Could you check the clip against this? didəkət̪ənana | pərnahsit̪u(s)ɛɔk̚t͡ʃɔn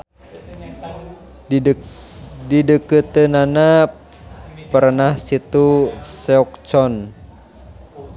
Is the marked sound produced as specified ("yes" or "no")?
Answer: yes